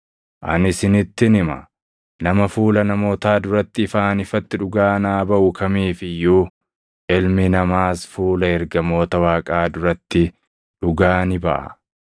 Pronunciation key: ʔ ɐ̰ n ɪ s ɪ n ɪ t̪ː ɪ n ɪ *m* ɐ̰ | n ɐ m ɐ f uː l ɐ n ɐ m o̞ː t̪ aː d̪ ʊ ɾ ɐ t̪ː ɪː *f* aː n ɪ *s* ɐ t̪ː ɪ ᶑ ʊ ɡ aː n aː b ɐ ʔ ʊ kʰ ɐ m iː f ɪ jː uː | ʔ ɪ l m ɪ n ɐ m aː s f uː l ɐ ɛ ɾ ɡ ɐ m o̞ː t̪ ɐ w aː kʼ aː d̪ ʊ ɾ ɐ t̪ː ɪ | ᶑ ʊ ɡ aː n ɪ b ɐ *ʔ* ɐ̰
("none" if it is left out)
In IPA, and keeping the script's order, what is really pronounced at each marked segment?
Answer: m, f, f, ʔ

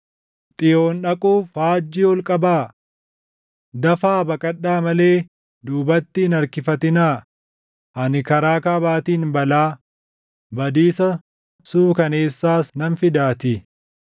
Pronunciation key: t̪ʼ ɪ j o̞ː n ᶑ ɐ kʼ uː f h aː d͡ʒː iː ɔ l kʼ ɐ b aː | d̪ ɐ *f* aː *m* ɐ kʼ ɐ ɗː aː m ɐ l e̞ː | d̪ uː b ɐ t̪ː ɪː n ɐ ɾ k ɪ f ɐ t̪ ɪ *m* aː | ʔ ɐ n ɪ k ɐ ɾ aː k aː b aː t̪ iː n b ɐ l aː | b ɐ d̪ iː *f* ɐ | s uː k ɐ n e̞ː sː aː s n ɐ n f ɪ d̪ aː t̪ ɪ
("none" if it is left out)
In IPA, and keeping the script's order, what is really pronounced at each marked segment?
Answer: f, b, n, s

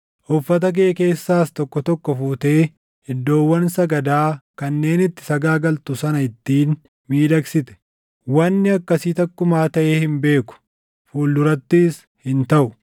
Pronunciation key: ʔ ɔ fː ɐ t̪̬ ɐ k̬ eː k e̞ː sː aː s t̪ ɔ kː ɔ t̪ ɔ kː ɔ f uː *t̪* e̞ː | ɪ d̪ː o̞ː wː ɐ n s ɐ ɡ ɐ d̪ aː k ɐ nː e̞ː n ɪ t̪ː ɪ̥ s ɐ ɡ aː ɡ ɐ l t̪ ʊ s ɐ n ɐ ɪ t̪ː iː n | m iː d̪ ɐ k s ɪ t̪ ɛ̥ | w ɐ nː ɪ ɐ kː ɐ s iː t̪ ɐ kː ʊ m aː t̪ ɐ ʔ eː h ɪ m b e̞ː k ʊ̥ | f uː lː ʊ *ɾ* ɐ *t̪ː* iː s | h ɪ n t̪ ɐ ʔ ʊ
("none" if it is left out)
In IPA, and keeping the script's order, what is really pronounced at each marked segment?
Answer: t̪, ɾ, t̪ː

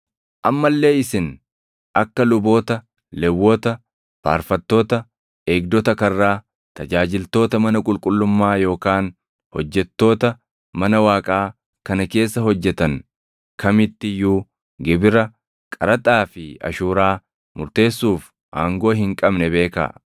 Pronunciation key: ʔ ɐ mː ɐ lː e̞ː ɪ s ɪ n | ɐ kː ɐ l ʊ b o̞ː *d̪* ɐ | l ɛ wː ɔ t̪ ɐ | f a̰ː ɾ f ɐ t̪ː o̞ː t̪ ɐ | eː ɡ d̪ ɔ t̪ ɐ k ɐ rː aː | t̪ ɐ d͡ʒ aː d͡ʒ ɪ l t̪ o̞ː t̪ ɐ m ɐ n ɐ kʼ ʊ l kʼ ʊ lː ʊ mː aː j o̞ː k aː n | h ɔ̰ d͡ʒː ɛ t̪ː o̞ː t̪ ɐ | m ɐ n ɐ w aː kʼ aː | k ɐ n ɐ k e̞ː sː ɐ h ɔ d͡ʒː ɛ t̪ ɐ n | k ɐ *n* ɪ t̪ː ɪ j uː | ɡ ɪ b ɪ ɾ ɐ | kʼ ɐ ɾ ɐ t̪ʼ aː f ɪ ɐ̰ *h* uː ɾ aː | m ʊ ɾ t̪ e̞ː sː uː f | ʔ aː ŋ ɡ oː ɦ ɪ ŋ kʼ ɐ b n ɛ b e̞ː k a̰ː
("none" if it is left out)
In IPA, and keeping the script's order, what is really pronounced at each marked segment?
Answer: t̪, m, ʃ

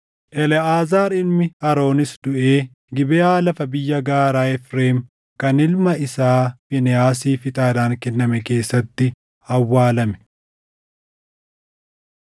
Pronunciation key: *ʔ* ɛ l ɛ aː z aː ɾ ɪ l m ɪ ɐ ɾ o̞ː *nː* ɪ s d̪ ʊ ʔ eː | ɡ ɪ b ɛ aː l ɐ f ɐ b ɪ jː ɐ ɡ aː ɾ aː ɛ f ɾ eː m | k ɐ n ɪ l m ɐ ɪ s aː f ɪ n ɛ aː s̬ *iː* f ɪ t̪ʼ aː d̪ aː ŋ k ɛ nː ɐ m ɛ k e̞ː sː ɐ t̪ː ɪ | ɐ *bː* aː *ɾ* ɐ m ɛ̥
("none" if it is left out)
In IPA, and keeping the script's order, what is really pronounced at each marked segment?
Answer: ʔ, n, iː, wː, l

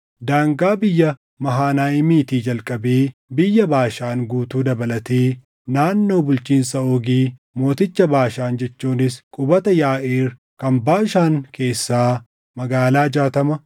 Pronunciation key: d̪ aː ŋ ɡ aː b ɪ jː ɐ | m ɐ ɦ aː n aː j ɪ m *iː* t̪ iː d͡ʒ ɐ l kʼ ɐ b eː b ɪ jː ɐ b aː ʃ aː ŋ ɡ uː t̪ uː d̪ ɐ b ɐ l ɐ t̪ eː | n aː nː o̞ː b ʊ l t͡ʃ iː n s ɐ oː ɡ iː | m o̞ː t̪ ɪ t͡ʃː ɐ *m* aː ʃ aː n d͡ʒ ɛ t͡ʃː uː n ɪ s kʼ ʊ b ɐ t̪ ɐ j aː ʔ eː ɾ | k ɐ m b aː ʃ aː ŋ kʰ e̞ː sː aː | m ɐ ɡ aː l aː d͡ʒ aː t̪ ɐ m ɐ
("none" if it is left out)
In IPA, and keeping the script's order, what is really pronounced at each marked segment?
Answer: iː, b

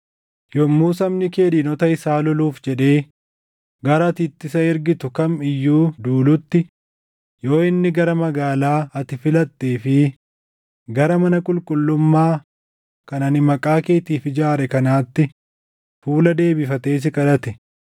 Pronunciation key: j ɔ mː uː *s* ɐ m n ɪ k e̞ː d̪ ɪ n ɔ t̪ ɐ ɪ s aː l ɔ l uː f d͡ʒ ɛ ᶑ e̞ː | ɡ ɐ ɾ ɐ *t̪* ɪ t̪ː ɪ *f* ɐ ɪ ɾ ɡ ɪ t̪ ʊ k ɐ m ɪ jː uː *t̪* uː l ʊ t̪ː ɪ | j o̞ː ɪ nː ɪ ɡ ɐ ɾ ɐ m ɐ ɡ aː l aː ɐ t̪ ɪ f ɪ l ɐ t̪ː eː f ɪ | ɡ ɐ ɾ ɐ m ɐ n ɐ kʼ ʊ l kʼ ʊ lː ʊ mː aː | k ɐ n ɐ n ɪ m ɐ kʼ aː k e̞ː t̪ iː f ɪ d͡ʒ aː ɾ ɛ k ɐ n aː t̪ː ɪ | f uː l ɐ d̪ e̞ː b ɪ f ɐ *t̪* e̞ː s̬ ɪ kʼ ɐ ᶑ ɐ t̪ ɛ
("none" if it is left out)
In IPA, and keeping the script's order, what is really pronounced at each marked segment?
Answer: s, t̪, s, d̪, t̪

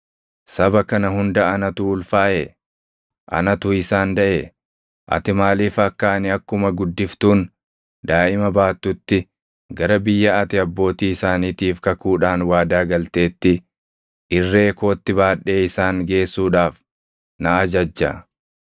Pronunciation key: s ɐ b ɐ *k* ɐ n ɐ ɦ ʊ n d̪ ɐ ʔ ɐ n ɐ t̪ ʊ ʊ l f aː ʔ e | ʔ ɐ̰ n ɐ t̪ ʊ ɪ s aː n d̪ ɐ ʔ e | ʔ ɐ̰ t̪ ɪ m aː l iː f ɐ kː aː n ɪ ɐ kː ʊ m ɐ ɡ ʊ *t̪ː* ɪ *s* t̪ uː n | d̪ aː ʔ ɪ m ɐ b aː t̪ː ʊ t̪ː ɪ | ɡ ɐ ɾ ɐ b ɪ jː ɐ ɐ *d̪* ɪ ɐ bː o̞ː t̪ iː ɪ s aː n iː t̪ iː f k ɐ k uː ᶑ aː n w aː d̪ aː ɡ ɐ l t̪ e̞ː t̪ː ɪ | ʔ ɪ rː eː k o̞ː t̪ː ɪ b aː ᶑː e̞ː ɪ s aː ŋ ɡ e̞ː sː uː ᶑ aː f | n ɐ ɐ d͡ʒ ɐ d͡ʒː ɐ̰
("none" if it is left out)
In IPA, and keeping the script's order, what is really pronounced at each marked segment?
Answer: k, d̪ː, f, t̪

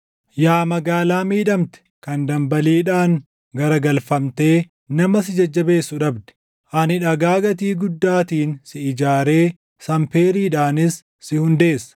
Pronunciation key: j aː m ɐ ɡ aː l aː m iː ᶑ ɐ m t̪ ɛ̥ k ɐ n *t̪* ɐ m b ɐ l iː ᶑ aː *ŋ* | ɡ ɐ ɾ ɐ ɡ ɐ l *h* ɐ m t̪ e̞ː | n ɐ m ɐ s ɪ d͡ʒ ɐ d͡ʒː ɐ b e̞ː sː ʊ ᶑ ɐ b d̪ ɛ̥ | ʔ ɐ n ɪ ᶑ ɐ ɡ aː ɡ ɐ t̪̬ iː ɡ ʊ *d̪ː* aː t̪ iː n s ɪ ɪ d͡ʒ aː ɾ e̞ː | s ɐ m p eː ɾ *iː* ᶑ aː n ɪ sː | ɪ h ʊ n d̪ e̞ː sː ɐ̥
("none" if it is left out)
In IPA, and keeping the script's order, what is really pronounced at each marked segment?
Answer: d̪, ŋ, f, d̪ː, iː

